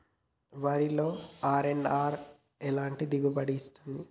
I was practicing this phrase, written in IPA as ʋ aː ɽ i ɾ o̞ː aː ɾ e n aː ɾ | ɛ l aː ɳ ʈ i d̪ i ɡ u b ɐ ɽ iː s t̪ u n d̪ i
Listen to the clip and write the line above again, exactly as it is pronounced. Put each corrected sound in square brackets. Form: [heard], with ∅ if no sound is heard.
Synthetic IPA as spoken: ʋ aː [ɾ] i [l] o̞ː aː ɾ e n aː ɾ | ɛ l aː ɳ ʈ i d̪ i ɡ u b ɐ ɽ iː s t̪ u n d̪ i